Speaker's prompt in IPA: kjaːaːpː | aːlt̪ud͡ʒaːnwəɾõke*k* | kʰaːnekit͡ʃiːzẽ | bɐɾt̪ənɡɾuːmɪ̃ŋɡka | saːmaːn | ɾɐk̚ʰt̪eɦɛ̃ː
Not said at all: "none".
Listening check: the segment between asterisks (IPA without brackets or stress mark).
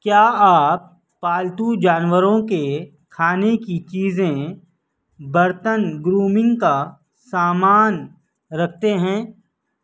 none